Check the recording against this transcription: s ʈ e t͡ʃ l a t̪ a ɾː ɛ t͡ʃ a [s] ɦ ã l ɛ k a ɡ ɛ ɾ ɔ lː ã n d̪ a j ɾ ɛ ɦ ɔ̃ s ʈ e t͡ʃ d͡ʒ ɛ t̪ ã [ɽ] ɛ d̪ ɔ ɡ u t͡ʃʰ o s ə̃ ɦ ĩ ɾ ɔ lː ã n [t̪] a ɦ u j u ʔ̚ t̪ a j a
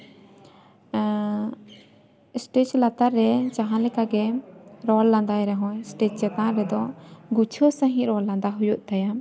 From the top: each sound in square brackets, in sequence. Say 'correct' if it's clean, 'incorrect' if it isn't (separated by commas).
incorrect, incorrect, incorrect